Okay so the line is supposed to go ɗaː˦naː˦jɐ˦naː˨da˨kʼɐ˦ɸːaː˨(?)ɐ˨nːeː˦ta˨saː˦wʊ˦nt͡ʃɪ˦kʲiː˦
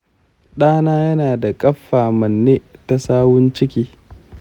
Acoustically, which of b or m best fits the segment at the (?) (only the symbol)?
m